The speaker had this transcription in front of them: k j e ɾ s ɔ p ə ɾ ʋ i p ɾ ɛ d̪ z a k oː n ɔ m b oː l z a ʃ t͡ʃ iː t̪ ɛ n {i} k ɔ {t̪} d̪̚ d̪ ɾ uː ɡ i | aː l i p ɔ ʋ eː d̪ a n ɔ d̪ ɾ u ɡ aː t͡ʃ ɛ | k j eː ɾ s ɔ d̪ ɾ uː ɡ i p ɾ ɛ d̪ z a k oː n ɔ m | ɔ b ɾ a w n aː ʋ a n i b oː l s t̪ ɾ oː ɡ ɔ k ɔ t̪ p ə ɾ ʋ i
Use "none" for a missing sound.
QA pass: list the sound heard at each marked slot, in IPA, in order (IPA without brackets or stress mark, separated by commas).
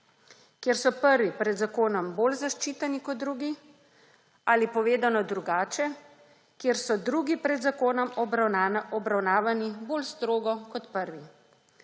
i, none